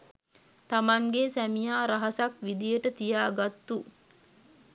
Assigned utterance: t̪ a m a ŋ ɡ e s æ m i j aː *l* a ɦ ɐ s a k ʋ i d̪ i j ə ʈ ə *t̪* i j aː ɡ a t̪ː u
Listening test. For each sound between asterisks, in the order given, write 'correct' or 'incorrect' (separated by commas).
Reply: incorrect, correct